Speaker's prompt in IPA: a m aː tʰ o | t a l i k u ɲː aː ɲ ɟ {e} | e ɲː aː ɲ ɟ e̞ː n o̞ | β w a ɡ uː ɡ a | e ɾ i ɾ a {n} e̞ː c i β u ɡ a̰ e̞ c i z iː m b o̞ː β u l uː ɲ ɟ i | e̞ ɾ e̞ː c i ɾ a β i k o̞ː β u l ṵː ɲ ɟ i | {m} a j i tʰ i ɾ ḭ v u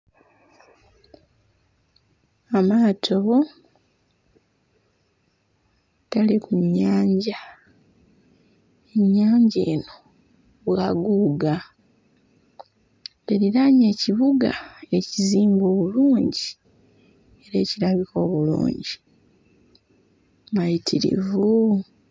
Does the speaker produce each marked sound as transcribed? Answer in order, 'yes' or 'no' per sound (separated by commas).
no, no, yes